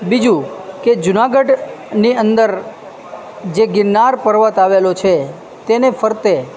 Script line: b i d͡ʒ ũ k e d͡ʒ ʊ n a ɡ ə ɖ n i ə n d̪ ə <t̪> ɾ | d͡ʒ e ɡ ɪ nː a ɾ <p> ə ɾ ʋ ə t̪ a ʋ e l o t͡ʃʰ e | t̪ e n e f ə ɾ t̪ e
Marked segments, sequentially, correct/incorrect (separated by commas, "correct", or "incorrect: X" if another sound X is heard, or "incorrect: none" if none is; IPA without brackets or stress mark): incorrect: none, correct